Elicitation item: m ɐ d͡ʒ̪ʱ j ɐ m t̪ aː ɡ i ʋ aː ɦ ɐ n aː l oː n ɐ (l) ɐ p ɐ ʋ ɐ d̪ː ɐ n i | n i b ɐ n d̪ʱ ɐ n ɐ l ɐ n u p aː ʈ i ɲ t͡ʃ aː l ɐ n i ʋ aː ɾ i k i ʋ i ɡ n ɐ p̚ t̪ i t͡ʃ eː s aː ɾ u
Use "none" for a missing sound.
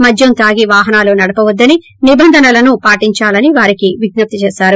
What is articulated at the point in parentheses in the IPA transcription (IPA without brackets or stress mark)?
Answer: ɽ